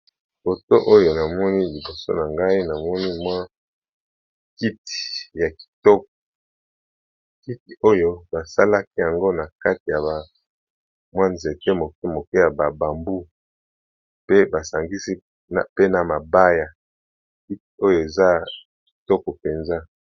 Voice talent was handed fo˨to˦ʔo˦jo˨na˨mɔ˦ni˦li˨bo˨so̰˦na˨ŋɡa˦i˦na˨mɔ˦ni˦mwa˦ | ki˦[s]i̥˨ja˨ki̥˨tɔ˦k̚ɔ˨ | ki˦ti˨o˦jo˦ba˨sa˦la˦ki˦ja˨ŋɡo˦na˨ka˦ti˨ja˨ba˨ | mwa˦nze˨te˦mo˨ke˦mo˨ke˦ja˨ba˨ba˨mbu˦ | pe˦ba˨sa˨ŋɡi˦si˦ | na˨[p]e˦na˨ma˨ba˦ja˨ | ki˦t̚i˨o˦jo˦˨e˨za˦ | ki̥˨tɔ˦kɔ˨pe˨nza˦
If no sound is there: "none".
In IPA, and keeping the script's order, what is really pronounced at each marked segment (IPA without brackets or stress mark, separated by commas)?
t, p